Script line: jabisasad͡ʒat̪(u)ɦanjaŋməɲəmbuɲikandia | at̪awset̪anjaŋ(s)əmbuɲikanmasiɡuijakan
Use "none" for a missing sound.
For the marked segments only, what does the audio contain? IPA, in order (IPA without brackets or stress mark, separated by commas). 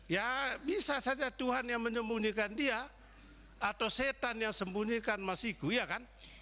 u, s